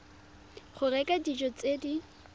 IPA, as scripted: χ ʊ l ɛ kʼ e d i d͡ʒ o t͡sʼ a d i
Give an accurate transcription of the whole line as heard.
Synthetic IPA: χ ʊ r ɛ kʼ a d i d͡ʒ ɔ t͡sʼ e d i